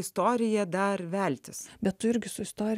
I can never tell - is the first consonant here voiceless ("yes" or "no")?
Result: yes